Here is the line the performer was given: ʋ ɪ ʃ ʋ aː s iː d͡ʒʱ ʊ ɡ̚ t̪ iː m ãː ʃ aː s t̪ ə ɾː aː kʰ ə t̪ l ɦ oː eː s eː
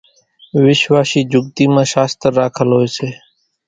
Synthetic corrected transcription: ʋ ɪ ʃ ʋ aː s iː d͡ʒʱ ʊ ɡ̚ t̪ iː m ãː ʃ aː s t̪ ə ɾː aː kʰ ə l ɦ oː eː s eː